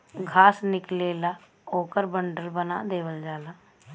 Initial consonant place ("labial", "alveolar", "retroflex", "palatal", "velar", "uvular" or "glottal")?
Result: velar